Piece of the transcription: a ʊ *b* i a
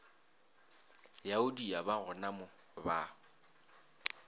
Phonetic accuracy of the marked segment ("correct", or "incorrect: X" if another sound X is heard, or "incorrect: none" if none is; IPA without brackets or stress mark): incorrect: d